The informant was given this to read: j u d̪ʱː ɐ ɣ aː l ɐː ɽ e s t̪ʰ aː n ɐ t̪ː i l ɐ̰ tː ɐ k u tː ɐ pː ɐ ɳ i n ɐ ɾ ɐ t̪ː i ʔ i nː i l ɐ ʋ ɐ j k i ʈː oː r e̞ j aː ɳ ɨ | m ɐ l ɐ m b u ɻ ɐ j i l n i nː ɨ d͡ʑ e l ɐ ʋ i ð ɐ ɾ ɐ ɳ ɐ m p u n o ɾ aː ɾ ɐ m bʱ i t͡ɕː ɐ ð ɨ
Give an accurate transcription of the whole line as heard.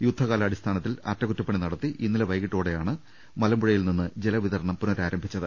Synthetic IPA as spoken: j u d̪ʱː ɐ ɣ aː l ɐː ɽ i s t̪ʰ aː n ɐ t̪ː i l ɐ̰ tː ɐ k u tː ɐ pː ɐ ɳ i n ɐ ɽ ɐ t̪ː i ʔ i nː i l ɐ ʋ ɐ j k i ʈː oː ɽ e̞ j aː ɳ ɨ | m ɐ l ɐ m b u ɻ ɐ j i l n i nː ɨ d͡ʑ e l ɐ ʋ i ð ɐ ɾ ɐ ɳ ɐ m p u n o ɾ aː ɾ ɐ m bʱ i t͡ɕː ɐ ð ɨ